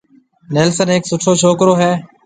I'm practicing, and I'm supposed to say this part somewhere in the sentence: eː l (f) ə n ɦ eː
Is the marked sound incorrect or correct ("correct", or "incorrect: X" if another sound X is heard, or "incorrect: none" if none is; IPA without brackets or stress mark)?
incorrect: s